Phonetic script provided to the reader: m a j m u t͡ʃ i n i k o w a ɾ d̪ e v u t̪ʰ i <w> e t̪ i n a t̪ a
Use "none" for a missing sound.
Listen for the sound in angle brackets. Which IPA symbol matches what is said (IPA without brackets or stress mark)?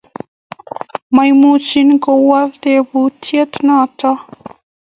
none